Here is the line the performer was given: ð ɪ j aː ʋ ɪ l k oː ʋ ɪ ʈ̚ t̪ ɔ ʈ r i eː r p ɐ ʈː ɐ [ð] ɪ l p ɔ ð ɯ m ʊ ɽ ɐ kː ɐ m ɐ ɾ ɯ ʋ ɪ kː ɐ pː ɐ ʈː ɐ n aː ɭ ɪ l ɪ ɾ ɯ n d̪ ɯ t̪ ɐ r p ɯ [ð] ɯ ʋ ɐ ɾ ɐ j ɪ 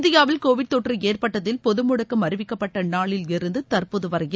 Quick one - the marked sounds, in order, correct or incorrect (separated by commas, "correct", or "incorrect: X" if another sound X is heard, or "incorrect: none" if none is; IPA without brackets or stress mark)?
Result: correct, correct